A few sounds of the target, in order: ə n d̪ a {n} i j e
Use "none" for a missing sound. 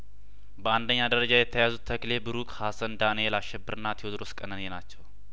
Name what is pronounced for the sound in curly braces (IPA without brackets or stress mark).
n